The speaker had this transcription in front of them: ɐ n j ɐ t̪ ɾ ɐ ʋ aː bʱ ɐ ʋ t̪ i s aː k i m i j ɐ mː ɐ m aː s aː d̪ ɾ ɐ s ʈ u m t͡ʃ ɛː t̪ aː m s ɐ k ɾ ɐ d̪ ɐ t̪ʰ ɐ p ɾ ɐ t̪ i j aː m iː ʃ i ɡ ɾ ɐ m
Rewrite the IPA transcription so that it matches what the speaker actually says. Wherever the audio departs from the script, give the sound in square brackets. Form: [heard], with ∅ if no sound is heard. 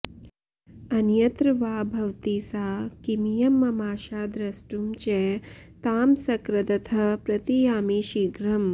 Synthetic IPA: ɐ n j ɐ t̪ ɾ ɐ ʋ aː bʱ ɐ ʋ t̪ i s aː k i m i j ɐ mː ɐ m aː [ʃ] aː d̪ ɾ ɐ s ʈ u m t͡ʃ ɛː t̪ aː m s ɐ k ɾ ɐ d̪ ɐ t̪ʰ ɐ p ɾ ɐ t̪ i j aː m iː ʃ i ɡ ɾ ɐ m